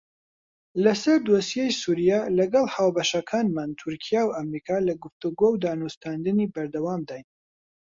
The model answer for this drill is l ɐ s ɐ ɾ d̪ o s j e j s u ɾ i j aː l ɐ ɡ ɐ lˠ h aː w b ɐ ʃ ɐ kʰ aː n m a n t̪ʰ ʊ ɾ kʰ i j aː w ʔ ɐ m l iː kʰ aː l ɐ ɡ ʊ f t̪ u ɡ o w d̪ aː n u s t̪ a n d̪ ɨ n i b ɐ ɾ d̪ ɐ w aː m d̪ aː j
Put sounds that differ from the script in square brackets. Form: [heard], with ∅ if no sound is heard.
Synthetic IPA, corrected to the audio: l ɐ s ɐ ɾ d̪ o s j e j s u ɾ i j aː l ɐ ɡ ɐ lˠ h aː w b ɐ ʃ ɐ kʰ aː n m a n t̪ʰ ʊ ɾ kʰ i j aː w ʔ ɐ m [ɾ] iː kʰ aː l ɐ ɡ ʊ f t̪ u ɡ o w d̪ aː n u s t̪ a n d̪ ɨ n i b ɐ ɾ d̪ ɐ w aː m d̪ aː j

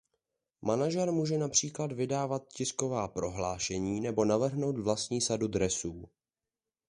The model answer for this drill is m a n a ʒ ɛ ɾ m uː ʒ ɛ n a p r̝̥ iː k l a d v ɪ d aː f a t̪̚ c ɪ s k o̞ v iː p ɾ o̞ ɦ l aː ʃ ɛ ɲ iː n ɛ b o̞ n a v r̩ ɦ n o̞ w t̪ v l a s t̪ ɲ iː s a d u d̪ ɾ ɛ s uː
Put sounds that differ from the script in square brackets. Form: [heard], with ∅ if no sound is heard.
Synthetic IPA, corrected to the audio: m a n a ʒ ɛ ɾ m uː ʒ ɛ n a p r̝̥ iː k l a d v ɪ d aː [v] a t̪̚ c ɪ s k o̞ v [aː] p ɾ o̞ ɦ l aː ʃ ɛ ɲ iː n ɛ b o̞ n a v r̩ ɦ n o̞ w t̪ v l a s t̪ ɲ iː s a d u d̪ ɾ ɛ s uː

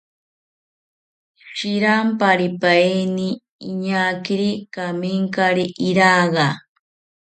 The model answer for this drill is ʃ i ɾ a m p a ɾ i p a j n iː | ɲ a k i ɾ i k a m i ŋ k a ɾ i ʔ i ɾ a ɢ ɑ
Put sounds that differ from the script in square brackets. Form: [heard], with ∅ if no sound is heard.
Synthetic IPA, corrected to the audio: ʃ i ɾ a m p a ɾ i p a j n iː | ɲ a k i ɾ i k a m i ŋ k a ɾ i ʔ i ɾ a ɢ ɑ

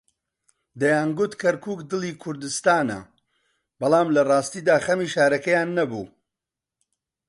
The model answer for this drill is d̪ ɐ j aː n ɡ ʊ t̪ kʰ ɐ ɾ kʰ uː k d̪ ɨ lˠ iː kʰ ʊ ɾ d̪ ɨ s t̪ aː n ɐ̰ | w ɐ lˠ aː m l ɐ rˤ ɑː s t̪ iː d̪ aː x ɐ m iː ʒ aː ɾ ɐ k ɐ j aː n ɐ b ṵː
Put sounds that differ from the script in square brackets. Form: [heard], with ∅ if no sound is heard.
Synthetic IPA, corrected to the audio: d̪ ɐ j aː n ɡ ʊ t̪ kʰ ɐ ɾ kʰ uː k d̪ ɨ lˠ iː kʰ ʊ ɾ d̪ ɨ s t̪ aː n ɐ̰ | [b] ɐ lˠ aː m l ɐ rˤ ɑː s t̪ iː d̪ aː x ɐ m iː [ʃ] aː ɾ ɐ k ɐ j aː [nː] ɐ b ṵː

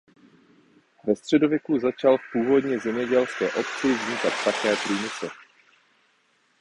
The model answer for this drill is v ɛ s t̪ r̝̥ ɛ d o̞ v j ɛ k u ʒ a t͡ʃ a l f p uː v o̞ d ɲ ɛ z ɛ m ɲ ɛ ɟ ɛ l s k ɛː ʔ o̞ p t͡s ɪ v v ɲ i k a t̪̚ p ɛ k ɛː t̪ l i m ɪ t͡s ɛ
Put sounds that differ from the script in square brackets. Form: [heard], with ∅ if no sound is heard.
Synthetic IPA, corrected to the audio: v ɛ s t̪ r̝̥ ɛ d o̞ v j ɛ k u [z] a t͡ʃ a l f p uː v o̞ d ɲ ɛ z ɛ m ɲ ɛ ɟ ɛ l s k ɛː ʔ o̞ p t͡s ɪ v [z] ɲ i k a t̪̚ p [a] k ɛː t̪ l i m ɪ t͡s ɛ

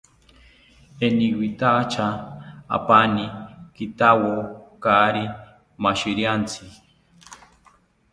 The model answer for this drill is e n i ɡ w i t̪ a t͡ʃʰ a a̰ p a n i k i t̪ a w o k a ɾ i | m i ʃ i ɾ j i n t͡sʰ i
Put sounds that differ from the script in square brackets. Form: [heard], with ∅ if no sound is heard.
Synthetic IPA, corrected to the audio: e n i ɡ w i t̪ a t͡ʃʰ a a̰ p a n i k i t̪ a w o k a ɾ i | m [a] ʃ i ɾ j [a] n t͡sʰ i

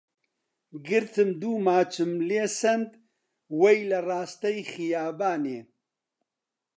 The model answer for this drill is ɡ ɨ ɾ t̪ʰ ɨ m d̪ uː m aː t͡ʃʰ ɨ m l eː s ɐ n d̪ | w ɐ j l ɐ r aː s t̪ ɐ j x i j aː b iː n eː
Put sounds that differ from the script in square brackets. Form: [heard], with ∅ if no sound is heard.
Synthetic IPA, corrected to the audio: ɡ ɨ ɾ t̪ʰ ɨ m d̪ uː m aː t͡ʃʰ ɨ m l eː s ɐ n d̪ | w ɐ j l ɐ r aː s t̪ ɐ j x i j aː b [aː] n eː

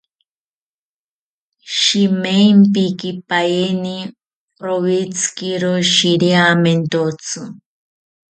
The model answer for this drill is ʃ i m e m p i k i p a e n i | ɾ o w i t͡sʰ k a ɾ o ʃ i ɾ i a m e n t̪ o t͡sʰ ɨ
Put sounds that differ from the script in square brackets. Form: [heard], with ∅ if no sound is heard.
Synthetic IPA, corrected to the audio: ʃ i m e m p i k i p a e n i | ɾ o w i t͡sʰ k [i] ɾ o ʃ i ɾ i a m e n t̪ o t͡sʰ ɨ

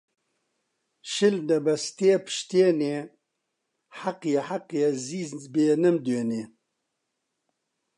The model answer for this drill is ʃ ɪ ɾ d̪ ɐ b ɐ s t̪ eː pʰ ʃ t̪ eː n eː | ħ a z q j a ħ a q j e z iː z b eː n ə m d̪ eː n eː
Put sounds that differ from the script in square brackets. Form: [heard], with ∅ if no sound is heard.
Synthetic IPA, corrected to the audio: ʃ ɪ [l] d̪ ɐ b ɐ s t̪ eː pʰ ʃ t̪ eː n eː | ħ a [∅] q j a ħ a q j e z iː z b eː n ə m d̪ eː n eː

